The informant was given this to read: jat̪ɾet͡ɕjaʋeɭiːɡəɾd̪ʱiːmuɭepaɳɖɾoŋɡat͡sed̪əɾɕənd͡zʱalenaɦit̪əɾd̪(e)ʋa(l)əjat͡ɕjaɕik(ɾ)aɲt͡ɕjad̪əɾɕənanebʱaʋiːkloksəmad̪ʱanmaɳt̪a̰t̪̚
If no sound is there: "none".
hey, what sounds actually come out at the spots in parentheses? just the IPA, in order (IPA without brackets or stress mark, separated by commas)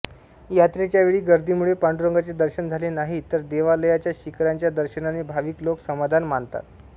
e, l, ɾ